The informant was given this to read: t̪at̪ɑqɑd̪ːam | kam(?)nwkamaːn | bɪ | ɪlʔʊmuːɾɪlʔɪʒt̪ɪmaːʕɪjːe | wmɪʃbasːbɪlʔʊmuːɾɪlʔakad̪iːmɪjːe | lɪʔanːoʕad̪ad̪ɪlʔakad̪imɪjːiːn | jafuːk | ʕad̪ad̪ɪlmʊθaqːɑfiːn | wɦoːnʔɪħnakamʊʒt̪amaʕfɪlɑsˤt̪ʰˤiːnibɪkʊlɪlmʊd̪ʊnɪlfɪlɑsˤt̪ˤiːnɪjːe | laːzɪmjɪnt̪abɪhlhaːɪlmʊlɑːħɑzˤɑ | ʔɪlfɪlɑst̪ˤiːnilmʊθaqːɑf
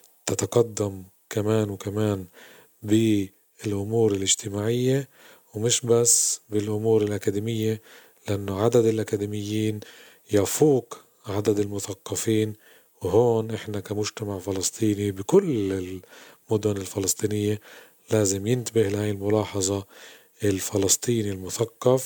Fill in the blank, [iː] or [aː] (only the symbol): aː